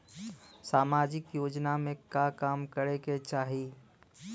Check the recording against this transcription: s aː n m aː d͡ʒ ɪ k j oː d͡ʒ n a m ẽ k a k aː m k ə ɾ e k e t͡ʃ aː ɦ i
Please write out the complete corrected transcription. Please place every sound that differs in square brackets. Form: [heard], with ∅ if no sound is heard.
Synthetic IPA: s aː [∅] m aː d͡ʒ ɪ k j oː d͡ʒ n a m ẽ k a k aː m k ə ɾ e k e t͡ʃ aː ɦ i